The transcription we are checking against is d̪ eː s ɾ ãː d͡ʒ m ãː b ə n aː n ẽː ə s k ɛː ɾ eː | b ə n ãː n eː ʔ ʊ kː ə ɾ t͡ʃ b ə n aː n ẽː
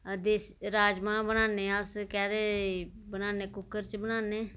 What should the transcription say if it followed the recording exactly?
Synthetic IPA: d̪ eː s ɾ aː d͡ʒ m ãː b ə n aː n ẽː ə s k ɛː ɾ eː | b ə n aː n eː k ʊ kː ə ɾ t͡ʃ b ə n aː n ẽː